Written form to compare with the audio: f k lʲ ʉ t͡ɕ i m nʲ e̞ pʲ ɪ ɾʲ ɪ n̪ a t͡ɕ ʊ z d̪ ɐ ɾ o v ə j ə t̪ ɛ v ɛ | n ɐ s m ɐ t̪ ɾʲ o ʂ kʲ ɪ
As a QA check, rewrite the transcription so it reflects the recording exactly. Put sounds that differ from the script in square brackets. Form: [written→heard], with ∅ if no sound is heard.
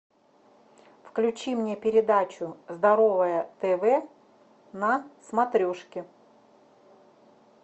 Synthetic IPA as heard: f k lʲ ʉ t͡ɕ i m nʲ e̞ pʲ ɪ ɾʲ ɪ [n̪→d̪] a t͡ɕ ʊ z d̪ ɐ ɾ o v ə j ə t̪ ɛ v ɛ | n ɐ s m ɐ t̪ ɾʲ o ʂ kʲ ɪ